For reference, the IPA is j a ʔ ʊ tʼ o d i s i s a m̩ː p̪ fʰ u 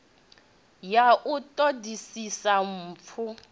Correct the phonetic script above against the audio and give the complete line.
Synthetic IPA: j a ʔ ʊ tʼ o d i s i s a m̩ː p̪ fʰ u